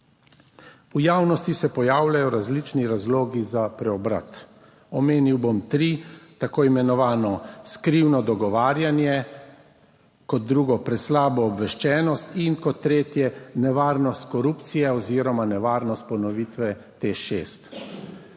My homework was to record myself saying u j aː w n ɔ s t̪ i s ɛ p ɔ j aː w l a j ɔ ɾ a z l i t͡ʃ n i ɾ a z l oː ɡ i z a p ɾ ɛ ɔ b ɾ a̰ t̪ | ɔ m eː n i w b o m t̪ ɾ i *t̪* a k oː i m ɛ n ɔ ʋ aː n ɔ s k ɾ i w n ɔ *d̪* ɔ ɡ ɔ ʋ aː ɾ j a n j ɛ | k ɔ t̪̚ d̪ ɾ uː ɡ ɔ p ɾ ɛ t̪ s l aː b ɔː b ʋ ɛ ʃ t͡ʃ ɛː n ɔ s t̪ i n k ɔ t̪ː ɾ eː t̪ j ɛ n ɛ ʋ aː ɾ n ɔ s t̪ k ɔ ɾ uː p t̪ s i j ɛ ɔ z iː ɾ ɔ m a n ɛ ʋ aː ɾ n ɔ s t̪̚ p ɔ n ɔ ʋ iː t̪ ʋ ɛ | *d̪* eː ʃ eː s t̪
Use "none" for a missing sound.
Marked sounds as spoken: t̪, d̪, t̪

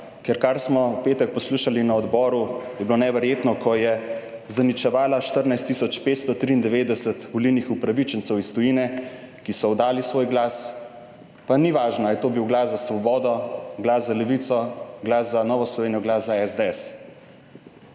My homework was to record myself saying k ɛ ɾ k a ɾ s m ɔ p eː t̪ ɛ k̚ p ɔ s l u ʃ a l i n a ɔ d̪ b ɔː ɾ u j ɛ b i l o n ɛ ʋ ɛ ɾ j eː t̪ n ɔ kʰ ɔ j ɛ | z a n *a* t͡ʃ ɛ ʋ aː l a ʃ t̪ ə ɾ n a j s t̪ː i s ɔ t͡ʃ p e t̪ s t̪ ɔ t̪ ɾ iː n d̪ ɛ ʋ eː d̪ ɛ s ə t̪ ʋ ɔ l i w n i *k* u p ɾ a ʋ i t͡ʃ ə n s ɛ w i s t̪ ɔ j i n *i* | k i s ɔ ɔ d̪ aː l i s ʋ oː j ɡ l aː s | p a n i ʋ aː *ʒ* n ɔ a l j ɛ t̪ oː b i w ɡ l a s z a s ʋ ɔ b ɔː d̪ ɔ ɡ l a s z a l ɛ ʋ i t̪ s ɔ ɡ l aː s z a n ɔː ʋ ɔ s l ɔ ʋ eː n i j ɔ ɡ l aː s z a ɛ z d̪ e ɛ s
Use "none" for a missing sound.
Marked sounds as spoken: i, x, ɛ, ʒ

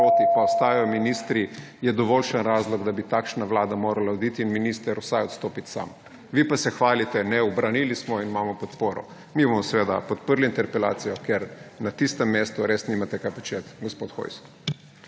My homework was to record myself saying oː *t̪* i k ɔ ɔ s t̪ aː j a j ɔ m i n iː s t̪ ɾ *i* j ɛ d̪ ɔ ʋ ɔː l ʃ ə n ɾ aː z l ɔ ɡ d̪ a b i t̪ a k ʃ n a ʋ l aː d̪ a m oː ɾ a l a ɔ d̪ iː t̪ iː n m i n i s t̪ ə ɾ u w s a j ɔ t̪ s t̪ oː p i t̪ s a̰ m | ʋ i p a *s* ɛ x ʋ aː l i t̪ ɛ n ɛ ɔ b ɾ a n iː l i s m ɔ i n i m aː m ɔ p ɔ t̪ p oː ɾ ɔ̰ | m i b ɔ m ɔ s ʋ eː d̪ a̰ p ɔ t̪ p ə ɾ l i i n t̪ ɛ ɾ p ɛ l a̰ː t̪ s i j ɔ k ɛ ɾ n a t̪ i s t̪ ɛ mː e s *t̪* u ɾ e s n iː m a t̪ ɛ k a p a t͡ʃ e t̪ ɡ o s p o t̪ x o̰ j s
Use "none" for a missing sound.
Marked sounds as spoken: t̪, i, s, t̪

